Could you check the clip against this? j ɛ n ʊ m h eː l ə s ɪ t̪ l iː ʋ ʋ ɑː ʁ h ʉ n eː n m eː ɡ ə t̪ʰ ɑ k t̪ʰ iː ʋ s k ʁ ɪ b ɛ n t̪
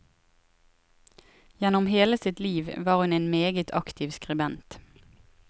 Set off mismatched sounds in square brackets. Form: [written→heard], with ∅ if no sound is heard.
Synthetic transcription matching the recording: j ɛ n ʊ m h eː l ə s ɪ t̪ l iː ʋ ʋ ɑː ʁ h ʉ n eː n m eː ɡ ə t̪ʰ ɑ k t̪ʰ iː ʋ s k ʁ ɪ b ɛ n t̪